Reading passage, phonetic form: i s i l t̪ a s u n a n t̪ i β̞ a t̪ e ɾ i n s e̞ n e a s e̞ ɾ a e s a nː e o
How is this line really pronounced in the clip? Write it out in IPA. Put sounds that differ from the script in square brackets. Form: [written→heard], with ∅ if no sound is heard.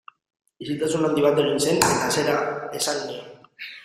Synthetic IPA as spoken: i s i l t̪ a s u n a n [t̪→d̪] i β̞ a t̪ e ɾ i n s e̞ n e a s e̞ ɾ a e s a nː [e→i] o